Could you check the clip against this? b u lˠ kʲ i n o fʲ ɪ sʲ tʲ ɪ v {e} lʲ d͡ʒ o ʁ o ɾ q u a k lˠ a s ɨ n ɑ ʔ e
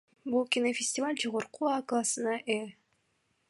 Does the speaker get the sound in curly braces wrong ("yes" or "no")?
yes